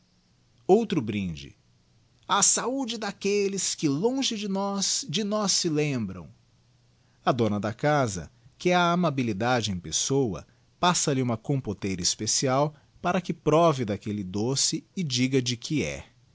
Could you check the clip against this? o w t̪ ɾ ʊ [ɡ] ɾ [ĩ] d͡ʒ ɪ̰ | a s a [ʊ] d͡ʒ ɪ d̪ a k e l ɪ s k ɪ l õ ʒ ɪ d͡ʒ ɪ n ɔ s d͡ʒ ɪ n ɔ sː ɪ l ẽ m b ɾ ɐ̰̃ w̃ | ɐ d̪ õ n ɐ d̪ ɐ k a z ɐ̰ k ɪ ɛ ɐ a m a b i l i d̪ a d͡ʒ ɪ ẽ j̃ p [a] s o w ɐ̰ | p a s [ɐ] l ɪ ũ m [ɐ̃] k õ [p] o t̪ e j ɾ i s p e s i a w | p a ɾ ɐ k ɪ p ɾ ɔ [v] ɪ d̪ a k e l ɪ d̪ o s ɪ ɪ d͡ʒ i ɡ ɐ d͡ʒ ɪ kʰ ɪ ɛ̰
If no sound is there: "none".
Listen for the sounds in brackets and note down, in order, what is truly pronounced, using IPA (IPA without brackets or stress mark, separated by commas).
b, ĩ, u, e, ɐ, ɐ, p, v